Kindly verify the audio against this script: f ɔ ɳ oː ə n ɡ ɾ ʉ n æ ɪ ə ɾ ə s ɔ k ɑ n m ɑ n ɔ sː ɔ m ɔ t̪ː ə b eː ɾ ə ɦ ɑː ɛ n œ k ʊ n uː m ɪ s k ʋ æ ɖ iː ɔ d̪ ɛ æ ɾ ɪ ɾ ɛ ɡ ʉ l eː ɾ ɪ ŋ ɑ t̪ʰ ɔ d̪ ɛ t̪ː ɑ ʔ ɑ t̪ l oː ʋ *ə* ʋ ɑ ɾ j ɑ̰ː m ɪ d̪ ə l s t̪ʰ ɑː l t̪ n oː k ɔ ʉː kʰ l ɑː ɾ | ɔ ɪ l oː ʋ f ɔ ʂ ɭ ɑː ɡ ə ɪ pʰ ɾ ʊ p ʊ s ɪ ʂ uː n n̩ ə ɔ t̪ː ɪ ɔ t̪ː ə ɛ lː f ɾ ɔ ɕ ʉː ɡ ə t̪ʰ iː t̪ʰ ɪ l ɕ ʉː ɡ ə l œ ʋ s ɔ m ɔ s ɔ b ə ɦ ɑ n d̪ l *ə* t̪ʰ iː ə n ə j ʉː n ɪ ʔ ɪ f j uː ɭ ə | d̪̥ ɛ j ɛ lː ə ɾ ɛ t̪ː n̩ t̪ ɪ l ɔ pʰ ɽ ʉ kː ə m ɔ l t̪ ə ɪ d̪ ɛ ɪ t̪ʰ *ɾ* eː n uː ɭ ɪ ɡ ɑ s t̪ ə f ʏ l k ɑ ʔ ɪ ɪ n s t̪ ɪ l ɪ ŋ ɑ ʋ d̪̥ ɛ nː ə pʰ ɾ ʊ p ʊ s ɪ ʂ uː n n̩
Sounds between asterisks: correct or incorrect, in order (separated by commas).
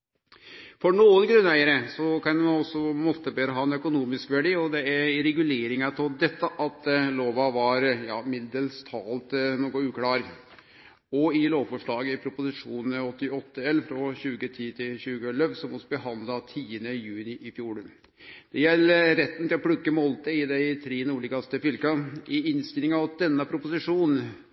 incorrect, incorrect, correct